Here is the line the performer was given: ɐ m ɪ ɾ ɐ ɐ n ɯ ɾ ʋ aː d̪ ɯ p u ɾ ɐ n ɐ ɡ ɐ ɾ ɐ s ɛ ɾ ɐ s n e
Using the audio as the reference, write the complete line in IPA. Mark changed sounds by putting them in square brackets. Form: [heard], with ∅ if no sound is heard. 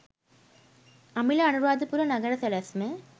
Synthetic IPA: ɐ m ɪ [l] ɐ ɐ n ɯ ɾ ʋ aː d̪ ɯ p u ɾ ɐ n ɐ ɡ ɐ ɾ ɐ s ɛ [l] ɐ s [m] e

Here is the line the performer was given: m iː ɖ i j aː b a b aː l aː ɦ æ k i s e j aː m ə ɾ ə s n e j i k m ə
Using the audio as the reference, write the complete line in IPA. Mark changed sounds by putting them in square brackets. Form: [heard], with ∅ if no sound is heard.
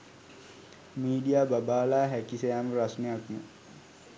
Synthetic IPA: m iː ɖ i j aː b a b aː l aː ɦ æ k i s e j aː m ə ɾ [a] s n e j [a] k m ə

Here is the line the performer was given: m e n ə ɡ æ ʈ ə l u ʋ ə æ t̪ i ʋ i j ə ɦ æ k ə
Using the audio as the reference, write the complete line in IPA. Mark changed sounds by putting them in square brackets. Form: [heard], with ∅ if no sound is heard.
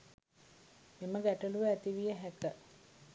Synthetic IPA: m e [m] ə ɡ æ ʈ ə l u ʋ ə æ t̪ i ʋ i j ə ɦ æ k ə

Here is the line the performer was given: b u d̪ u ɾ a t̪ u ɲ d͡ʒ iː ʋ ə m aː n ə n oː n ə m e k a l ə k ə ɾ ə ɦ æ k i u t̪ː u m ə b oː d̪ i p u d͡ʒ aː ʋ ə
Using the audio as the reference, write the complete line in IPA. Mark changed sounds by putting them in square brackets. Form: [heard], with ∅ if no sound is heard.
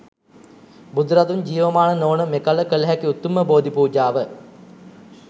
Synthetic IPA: b u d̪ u ɾ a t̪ u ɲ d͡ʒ iː ʋ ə m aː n ə n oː n ə m e k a l ə k ə [l] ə ɦ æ k i u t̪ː u m ə b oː d̪ i p [uː] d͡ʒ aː ʋ ə

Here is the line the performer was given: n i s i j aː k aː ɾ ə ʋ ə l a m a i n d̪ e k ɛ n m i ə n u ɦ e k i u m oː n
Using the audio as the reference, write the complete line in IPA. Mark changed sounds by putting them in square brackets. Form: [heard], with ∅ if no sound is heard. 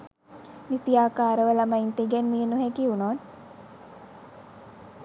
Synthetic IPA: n i s i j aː k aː ɾ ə ʋ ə l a m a i n [t̪] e [ɡ] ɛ n m i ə n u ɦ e k i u [n] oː n

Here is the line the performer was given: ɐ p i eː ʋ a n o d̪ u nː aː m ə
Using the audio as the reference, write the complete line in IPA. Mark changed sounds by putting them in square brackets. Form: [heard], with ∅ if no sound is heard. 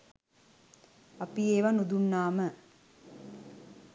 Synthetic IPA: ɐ p i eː ʋ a n [u] d̪ u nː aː m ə

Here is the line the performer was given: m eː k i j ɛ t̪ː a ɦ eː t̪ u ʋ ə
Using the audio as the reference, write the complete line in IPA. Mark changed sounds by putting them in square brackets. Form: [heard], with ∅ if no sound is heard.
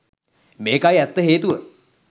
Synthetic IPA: m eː k [a] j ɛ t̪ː [ə] ɦ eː t̪ u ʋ ə

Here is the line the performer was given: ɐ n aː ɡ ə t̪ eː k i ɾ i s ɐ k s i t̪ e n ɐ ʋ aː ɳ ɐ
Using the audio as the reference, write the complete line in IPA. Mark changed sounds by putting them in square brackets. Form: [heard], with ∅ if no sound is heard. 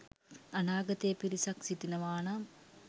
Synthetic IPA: ɐ n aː ɡ [ɐ] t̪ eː [p] i ɾ i s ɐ k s i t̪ [i] n ɐ ʋ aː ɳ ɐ

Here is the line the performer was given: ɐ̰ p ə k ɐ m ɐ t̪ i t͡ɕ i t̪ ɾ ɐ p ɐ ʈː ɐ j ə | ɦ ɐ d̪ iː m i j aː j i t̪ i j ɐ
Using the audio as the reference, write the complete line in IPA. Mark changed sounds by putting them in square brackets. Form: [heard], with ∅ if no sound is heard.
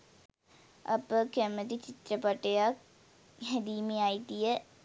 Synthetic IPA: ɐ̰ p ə k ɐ m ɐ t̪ i t͡ɕ i t̪ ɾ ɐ p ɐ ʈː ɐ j [a] | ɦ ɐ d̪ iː m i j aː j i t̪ i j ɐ

